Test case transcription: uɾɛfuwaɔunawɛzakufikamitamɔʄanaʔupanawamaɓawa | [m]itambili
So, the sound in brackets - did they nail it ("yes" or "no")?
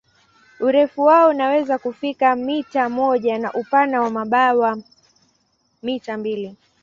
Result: yes